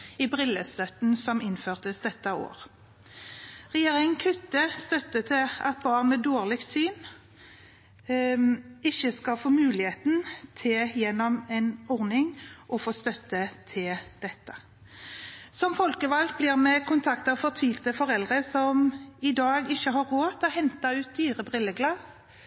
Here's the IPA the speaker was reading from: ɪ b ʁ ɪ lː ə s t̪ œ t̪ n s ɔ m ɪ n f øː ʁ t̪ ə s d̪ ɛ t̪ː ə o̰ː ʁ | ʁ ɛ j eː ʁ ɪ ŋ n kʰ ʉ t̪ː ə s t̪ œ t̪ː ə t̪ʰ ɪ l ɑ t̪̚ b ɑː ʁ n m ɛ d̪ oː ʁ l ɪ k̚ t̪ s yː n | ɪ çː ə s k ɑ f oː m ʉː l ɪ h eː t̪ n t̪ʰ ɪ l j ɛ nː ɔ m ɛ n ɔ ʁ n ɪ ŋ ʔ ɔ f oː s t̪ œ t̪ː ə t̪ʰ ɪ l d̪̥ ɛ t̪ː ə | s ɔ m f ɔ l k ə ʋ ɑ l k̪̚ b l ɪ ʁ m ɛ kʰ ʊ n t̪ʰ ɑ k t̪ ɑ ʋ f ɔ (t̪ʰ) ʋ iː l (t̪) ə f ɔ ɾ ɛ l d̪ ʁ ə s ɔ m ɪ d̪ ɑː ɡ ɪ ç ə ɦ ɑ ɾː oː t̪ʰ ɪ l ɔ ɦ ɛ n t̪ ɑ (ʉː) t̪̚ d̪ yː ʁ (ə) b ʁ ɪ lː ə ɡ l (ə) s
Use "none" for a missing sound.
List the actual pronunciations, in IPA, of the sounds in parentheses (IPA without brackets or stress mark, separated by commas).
t̪ʰ, t̪, ʉː, ə, ɑ